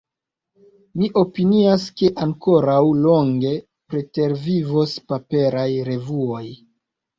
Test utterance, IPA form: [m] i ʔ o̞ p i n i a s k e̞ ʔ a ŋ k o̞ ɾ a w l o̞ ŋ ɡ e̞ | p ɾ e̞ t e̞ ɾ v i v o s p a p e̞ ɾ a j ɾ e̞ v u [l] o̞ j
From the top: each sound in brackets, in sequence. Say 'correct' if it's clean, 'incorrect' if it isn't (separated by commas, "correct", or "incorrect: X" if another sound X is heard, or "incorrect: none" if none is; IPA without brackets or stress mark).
correct, incorrect: none